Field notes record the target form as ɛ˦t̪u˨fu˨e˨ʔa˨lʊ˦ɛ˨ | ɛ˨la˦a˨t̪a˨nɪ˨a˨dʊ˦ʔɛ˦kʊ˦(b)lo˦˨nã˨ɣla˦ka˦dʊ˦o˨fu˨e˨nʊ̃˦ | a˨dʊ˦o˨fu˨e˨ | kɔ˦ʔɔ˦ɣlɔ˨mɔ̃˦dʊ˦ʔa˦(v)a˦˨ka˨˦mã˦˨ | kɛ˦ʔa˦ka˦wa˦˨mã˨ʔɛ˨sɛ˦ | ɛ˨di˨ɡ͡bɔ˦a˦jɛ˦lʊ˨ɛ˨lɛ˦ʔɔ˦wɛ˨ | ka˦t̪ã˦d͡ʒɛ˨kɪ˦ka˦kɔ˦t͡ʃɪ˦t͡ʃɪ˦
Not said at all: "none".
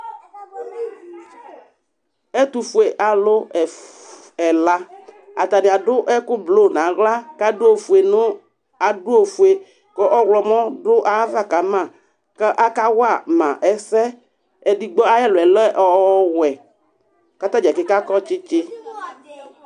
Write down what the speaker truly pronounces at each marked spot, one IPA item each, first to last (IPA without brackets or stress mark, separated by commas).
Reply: b, v